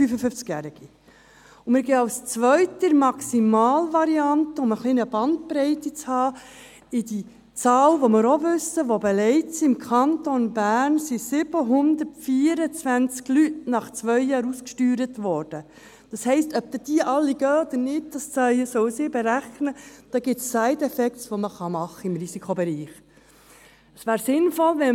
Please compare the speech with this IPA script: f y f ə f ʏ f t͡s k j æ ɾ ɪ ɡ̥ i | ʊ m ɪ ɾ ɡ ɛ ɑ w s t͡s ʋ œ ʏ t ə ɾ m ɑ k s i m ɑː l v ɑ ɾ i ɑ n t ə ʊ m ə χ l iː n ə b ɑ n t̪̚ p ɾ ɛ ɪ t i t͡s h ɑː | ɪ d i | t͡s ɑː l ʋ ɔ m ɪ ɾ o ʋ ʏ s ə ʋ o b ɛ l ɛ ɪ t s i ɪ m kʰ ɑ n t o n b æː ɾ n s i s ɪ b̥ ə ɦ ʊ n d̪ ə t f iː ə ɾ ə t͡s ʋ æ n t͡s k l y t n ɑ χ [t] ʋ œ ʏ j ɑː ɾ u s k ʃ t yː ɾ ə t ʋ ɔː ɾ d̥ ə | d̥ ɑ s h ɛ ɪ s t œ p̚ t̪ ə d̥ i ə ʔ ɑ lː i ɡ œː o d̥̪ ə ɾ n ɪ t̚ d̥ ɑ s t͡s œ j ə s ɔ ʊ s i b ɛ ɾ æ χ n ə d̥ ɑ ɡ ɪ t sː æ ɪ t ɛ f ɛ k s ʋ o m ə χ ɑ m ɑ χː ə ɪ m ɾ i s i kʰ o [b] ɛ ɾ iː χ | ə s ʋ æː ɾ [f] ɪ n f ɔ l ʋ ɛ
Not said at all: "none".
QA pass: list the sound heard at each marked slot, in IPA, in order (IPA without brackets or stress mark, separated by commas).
t͡s, b, s